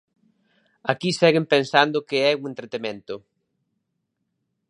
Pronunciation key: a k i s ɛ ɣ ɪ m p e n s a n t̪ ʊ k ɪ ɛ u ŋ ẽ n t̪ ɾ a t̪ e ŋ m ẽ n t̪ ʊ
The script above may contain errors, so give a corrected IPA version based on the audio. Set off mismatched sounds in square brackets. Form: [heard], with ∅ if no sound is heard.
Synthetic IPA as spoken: a k i s ɛ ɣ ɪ m p e n s a n [d̪] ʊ k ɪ ɛ u ŋ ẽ n t̪ ɾ [e] t̪ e [∅] m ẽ n t̪ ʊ

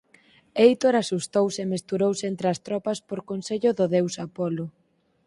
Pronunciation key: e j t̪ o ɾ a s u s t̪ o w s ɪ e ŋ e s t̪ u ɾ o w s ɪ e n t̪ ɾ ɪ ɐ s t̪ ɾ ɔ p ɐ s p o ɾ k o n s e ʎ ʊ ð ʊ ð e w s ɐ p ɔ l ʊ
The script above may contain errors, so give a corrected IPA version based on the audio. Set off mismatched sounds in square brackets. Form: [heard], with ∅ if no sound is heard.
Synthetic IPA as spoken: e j t̪ o ɾ a s u s t̪ o w s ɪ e [m] e s t̪ u ɾ o w s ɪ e n t̪ ɾ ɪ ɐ s t̪ ɾ ɔ p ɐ s p o ɾ k o n s e ʎ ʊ ð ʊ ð e w s [a] p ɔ l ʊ

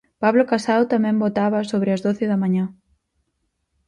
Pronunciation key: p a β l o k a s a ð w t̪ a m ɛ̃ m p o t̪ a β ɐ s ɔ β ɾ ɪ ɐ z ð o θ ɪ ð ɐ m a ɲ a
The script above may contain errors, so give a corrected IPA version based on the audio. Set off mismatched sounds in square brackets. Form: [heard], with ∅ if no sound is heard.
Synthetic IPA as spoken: p a β l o k a s a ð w t̪ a m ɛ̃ m [b] o t̪ a β ɐ s [o] β ɾ ɪ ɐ z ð o θ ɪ ð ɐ m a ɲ a

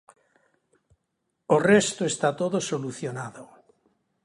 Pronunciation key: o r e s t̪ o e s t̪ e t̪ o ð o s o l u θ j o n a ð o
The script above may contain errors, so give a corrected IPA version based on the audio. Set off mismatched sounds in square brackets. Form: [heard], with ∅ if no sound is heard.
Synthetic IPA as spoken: o r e s t̪ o e s t̪ [a] t̪ o ð o s o l u θ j o n a ð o

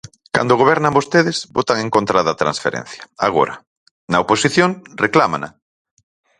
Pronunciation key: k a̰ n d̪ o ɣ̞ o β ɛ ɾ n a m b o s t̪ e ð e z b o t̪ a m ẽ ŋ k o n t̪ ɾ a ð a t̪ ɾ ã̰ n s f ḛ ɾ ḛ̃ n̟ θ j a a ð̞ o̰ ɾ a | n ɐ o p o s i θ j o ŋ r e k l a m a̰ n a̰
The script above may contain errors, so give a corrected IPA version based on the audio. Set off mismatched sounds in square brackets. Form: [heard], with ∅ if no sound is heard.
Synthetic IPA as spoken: k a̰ n d̪ o ɣ̞ o β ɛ ɾ n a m b o s t̪ e ð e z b o t̪ a [ŋ] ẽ ŋ k o n t̪ ɾ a ð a t̪ ɾ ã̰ n s f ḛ ɾ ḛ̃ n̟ θ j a a [ɣ̞] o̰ ɾ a | n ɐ o p o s i θ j o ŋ r e k l a m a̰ n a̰

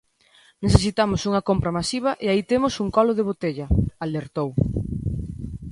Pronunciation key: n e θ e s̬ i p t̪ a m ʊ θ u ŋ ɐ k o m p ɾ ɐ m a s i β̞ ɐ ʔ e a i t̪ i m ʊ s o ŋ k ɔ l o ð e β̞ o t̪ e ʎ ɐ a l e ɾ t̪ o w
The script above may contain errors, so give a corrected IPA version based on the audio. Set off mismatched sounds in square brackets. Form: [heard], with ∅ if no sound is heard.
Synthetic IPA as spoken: n e θ e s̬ i [∅] t̪ a m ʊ [s] u ŋ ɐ k o m p ɾ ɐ m a s i β̞ ɐ ʔ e a i t̪ [e] m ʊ s [u] ŋ k ɔ l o ð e β̞ o t̪ e ʎ ɐ a l e ɾ t̪ o w

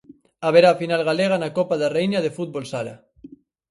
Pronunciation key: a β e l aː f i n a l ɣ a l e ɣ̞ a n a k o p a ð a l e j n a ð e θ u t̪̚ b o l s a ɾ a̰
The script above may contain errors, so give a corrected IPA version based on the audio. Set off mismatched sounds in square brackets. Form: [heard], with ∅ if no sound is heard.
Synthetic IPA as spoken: a β e [ɾ] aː f i n a l ɣ a l e ɣ̞ a n a k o p a ð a [r] e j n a ð e [f] u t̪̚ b o l s a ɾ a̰

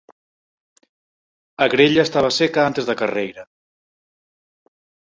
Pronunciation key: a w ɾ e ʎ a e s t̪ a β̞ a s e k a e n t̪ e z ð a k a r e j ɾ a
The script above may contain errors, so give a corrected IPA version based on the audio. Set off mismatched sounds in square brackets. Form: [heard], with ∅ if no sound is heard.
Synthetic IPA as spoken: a [ɣ] ɾ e ʎ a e s t̪ a β̞ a s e k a [a] n t̪ e z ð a k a r e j ɾ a

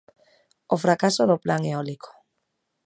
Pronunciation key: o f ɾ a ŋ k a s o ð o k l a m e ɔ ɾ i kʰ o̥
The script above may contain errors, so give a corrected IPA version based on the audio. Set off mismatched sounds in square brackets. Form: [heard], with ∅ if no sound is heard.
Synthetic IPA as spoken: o f ɾ a [∅] k a s o ð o [p] l a [ŋ] e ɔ [l] i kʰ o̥

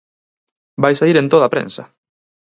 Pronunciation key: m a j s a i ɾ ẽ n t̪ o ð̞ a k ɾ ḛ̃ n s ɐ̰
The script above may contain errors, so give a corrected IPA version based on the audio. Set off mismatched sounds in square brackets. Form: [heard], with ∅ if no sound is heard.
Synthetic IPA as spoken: [b] a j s a i ɾ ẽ n t̪ o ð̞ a [p] ɾ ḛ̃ n s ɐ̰

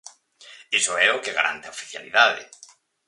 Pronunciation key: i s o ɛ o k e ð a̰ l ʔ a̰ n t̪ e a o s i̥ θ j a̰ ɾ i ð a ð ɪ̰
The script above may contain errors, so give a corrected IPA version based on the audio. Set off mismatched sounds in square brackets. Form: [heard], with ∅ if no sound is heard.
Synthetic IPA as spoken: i s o ɛ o k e [ɣ] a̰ [ɾ] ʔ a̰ n t̪ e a o [f] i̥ θ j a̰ [l] i ð a ð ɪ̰

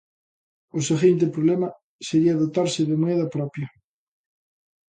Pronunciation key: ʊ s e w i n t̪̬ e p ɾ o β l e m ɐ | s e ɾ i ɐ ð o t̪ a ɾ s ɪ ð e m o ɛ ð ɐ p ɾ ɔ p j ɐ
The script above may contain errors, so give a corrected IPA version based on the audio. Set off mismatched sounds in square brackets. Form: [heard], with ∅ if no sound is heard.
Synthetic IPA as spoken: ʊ s e [ɣ] i n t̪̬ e p ɾ o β l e m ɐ | s e ɾ i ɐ ð o t̪ a ɾ s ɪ ð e m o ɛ ð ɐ p ɾ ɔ p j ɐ

